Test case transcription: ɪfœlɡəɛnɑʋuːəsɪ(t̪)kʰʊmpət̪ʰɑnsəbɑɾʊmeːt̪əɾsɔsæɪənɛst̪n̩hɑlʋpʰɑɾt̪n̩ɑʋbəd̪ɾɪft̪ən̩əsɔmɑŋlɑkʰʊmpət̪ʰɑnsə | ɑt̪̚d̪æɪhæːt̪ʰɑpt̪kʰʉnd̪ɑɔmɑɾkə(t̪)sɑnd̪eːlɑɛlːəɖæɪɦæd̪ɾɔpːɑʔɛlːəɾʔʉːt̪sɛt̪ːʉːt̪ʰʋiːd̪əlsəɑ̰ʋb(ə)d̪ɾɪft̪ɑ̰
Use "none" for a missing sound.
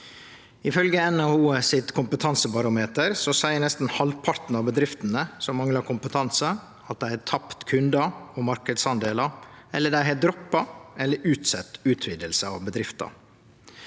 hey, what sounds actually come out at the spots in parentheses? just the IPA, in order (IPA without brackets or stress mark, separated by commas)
t̪, d̪, ə